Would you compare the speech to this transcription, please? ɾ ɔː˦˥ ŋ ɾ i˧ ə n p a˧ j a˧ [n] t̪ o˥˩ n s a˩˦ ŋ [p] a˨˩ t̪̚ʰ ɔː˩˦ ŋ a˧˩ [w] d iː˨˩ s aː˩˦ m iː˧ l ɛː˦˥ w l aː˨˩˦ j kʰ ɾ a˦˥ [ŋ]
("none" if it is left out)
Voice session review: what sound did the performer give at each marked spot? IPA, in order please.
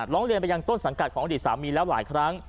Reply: ŋ, k, none, ŋ

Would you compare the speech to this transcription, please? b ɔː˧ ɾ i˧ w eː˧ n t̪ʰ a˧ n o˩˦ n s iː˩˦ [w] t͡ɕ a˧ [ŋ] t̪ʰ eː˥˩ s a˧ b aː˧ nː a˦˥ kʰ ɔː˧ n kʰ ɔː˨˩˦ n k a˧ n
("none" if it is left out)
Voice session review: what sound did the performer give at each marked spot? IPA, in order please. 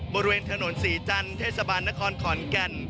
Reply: none, n

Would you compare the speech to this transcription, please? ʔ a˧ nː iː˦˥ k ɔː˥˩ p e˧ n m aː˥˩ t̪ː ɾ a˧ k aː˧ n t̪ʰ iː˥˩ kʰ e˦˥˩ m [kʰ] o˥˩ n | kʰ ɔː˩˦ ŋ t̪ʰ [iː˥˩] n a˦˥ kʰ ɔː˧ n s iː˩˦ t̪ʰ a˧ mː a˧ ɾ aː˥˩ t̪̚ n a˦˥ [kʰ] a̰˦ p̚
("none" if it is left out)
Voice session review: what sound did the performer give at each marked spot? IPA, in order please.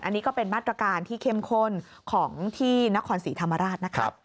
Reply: kʰ, iː˥˩, kʰ

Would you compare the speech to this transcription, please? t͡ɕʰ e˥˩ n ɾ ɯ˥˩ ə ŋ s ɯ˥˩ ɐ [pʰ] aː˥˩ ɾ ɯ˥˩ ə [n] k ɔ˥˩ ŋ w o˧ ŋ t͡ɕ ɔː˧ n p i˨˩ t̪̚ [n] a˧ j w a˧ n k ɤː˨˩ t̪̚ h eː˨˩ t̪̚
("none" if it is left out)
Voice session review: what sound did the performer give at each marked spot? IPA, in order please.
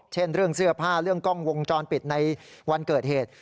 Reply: pʰ, ŋ, n

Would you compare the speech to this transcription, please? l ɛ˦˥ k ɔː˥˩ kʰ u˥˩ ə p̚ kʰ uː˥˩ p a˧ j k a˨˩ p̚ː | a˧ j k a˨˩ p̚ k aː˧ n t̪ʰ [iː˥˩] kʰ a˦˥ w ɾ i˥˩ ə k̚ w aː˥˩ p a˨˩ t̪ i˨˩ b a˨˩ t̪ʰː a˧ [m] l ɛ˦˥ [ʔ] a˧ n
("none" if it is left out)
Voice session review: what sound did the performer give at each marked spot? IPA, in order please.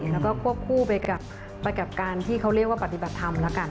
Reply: iː˥˩, m, k

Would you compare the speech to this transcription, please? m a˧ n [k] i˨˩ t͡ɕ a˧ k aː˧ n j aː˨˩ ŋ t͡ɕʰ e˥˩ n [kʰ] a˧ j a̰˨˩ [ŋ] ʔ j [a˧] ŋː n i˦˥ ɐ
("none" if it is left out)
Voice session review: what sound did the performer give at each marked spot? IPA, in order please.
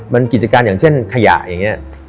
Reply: k, kʰ, none, a˨˩

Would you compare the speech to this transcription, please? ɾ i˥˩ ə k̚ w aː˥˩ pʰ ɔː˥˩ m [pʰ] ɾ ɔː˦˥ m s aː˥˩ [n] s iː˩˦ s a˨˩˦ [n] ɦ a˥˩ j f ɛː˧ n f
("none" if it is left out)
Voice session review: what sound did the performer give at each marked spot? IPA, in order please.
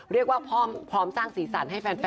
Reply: pʰ, ŋ, n

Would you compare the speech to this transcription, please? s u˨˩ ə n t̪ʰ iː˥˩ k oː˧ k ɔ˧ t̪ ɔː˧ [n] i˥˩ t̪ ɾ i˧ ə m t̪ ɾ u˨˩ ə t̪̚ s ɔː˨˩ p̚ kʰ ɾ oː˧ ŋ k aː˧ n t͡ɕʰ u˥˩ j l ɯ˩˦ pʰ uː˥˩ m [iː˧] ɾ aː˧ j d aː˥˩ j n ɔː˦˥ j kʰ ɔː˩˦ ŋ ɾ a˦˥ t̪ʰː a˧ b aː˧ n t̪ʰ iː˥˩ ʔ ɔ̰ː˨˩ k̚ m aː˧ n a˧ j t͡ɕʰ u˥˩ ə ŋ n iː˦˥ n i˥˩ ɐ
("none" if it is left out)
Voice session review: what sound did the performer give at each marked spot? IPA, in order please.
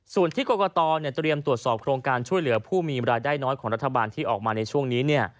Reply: n, iː˧

